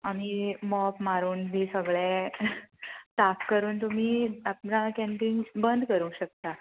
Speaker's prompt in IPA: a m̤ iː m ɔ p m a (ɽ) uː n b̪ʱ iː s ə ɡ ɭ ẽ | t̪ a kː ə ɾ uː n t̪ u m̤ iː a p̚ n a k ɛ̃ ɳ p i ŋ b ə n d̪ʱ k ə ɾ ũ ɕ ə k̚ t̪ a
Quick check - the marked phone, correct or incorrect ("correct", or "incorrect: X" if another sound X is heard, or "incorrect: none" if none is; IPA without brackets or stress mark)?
incorrect: ɾ